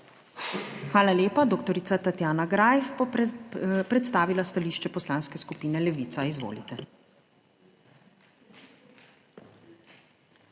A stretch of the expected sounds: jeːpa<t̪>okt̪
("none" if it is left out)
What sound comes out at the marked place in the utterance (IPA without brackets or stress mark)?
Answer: d̪